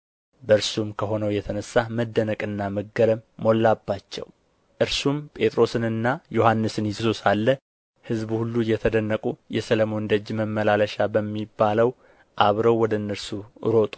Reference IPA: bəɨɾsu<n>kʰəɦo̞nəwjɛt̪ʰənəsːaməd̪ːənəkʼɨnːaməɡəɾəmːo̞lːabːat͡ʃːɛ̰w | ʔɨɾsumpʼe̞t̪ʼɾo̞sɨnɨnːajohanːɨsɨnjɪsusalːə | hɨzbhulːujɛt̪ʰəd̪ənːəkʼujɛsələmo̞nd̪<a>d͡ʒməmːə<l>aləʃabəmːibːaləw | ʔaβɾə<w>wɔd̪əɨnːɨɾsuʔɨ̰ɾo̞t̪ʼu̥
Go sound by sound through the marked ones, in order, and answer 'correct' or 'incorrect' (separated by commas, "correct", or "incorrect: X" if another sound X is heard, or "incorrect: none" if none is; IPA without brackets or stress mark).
incorrect: m, incorrect: ə, correct, correct